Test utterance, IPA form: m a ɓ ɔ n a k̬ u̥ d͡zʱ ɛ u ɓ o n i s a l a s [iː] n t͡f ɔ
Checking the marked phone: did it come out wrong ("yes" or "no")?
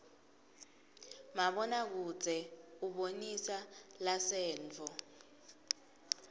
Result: yes